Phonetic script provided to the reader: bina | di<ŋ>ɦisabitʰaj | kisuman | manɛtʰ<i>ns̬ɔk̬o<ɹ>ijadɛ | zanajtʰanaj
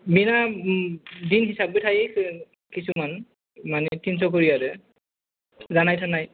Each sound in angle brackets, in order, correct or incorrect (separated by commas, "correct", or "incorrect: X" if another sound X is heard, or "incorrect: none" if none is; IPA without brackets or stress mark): incorrect: n, correct, correct